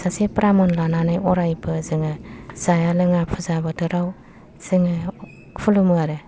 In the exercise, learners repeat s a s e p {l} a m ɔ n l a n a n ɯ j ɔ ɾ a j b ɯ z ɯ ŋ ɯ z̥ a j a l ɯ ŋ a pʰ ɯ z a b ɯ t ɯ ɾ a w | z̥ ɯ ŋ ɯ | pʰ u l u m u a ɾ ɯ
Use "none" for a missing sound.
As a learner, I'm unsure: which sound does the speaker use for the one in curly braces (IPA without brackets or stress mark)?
ɾ